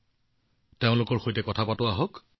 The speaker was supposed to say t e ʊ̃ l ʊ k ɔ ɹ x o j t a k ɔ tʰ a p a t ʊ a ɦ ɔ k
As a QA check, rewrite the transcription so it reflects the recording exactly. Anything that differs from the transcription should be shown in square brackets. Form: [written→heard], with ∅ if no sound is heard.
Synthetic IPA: t e ʊ̃ l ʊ k ɔ ɹ x o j t [a→ɛ] k ɔ tʰ a p a t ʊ a ɦ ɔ k

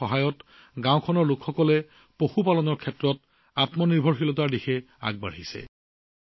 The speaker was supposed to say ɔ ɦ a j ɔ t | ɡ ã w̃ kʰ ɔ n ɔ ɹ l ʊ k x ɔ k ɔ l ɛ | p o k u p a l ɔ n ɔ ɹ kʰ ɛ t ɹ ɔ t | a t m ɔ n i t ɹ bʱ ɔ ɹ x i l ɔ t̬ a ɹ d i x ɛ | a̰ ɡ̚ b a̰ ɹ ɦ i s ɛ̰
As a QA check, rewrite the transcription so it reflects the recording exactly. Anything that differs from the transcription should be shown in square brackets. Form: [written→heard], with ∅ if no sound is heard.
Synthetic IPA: ɔ ɦ a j ɔ t | ɡ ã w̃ kʰ ɔ n ɔ ɹ l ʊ k x ɔ k ɔ l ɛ | p o [k→x] u p a l ɔ n ɔ ɹ kʰ ɛ t ɹ ɔ t | a t m ɔ n i [t→∅] ɹ bʱ ɔ ɹ x i l ɔ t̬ a ɹ d i x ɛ | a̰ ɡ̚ b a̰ ɹ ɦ i s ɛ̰

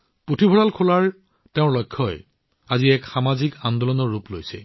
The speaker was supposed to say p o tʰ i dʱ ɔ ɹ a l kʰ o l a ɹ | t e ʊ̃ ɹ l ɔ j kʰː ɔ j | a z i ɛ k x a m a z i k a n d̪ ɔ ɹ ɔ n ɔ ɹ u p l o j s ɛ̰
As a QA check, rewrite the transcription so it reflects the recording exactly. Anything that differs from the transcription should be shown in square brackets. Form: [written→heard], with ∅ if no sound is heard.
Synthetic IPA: p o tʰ i [dʱ→bʱ] ɔ ɹ a l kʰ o l a ɹ | t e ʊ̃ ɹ l ɔ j kʰː ɔ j | a z i ɛ k x a m a z i k a n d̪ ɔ [ɹ→l] ɔ n ɔ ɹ u p l o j s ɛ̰

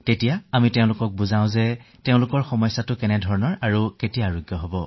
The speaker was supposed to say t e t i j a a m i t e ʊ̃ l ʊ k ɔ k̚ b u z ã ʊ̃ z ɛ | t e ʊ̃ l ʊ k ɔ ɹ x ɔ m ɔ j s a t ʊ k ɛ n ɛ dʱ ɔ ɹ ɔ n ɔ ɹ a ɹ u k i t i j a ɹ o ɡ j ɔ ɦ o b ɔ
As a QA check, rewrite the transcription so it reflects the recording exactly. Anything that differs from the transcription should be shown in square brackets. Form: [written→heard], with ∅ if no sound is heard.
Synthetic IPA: t e t i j a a m i t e ʊ̃ l ʊ k ɔ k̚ b u z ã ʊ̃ z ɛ | t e ʊ̃ l ʊ k ɔ ɹ x ɔ m ɔ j s a t ʊ k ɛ n ɛ dʱ ɔ ɹ ɔ n ɔ ɹ a ɹ u k [i→e] t i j a ɹ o ɡ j ɔ ɦ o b ɔ

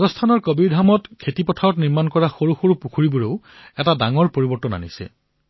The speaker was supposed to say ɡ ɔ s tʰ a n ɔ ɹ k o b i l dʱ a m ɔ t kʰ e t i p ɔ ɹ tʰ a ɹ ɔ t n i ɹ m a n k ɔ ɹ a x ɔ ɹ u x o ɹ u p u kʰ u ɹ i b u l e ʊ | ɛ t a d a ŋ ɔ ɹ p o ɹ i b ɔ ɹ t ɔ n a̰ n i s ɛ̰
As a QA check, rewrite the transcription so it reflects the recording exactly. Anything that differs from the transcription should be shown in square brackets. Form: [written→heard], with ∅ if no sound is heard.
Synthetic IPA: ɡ ɔ s tʰ a n ɔ ɹ k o b i [l→ɹ] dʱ a m ɔ t kʰ e t i p ɔ [ɹ→∅] tʰ a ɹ ɔ t n i ɹ m a n k ɔ ɹ a x [ɔ→o] ɹ u x o ɹ u p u kʰ u ɹ i b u [l→ɹ] e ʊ | ɛ t a d a ŋ ɔ ɹ p o ɹ i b ɔ ɹ t ɔ n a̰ n i s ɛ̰

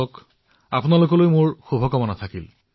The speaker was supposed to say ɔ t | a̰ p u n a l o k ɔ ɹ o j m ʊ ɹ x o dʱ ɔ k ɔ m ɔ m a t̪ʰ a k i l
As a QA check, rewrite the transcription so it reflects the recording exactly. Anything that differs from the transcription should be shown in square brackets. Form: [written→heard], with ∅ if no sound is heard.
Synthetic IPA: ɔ [t→k] | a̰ p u n a l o k ɔ [ɹ→l] o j m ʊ ɹ x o [dʱ→bʱ] ɔ k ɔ m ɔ [m→n] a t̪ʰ a k i l

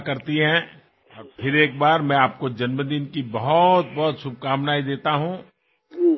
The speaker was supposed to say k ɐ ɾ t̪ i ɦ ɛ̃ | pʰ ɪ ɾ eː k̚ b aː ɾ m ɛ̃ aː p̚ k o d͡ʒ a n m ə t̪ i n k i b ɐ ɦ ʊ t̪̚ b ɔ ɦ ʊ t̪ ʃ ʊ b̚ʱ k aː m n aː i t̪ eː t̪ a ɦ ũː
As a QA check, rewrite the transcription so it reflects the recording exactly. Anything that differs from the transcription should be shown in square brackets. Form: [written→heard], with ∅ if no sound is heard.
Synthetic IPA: k ɐ ɾ t̪ i ɦ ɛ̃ | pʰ ɪ ɾ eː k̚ b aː ɾ m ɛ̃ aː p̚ k o d͡ʒ [a→ɐ] n m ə [t̪→d̪] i n k i b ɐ ɦ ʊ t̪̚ b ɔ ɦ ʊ t̪ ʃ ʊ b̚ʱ k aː m n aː i [t̪→d̪] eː t̪ a ɦ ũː

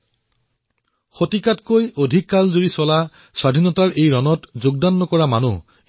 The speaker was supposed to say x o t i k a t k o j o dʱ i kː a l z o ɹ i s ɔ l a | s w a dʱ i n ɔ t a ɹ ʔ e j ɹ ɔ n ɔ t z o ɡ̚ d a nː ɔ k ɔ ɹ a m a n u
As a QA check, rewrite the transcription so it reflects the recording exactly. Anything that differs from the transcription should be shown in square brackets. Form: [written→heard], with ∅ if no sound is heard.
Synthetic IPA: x o t i k a t k o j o dʱ i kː a l z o ɹ i s ɔ l a | s w a dʱ i n ɔ t a ɹ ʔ e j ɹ ɔ n ɔ t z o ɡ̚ d a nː ɔ k ɔ ɹ a m a n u

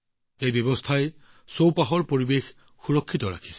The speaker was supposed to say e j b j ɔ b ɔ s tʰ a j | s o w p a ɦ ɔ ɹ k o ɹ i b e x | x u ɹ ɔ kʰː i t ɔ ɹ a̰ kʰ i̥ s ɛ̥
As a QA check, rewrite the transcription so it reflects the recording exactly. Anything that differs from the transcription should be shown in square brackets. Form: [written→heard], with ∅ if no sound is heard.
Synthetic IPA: e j b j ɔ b ɔ s tʰ a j | s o w p a ɦ ɔ ɹ [k→p] o ɹ i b e x | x u ɹ ɔ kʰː i t ɔ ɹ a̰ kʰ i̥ s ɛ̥

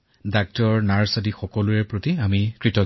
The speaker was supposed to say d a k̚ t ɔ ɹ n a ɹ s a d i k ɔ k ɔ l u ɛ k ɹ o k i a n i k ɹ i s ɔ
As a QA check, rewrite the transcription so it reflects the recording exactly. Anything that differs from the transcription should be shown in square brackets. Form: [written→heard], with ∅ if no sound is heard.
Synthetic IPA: d a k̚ t ɔ ɹ n a ɹ s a d i [k→x] ɔ k ɔ l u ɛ [k→p] ɹ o [k→t] i a [n→m] i k ɹ i [s→t] ɔ

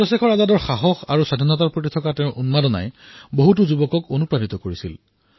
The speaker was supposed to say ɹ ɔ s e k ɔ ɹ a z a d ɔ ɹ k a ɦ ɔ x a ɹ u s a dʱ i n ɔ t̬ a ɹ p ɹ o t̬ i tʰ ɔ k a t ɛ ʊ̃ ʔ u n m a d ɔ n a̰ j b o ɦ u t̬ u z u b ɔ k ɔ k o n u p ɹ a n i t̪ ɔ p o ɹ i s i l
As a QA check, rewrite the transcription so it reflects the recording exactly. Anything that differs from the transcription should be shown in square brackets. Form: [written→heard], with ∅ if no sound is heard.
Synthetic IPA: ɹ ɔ s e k ɔ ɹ a z a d ɔ ɹ [k→x] a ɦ ɔ x a ɹ u s a dʱ i n ɔ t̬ a ɹ p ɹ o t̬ i tʰ ɔ k a t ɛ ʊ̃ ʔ u n m a d ɔ n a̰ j b o ɦ u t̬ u z u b ɔ k ɔ k o n u p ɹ a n i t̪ ɔ [p→k] o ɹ i s i l

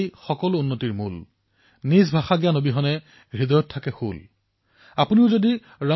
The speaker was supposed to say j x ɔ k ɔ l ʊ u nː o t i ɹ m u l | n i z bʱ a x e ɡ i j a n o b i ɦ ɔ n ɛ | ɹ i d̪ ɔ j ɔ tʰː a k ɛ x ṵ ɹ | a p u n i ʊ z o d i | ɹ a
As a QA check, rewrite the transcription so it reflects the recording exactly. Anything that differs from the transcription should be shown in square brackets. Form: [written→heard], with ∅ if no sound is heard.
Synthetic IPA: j x ɔ k ɔ l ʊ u nː o t i ɹ m u l | n i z bʱ a x [e→a] ɡ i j a n o b i ɦ ɔ n ɛ | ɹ i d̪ ɔ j ɔ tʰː a k ɛ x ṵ [ɹ→l] | a p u n i ʊ z o d i | ɹ a

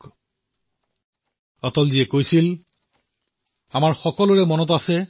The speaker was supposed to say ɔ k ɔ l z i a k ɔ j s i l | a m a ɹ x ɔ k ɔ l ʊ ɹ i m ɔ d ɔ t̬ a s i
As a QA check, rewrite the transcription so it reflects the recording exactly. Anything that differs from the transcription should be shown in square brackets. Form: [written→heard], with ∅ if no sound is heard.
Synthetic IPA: ɔ [k→t] ɔ l z i [a→ɛ] k [ɔ→o] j s i l | a m a ɹ x ɔ k ɔ l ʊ ɹ [i→ɛ] m ɔ [d→n] ɔ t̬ a s [i→ɛ]

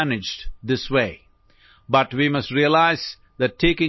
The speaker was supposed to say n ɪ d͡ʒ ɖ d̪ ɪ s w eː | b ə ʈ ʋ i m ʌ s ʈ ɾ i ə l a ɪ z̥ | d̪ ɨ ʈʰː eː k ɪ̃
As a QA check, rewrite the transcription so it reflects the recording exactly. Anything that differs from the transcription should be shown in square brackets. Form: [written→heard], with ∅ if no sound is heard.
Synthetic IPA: n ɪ d͡ʒ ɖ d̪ ɪ s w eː | b [ə→ʌ] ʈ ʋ i m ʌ s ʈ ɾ i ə l a ɪ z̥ | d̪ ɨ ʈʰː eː k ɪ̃

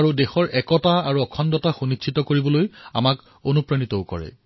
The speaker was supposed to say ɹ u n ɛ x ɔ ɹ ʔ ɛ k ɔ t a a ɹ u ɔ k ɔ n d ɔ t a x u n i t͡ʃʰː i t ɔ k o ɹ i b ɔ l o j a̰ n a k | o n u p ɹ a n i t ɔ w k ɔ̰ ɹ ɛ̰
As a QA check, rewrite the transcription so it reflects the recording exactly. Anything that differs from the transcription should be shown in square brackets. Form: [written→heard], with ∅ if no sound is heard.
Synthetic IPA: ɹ u [n→d] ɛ x ɔ ɹ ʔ ɛ k ɔ t a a ɹ u ɔ [k→kʰ] ɔ n d ɔ t a x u n i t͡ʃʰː i t ɔ k o ɹ i b ɔ l o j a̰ [n→m] a k | o n u p ɹ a n i t ɔ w k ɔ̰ ɹ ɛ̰

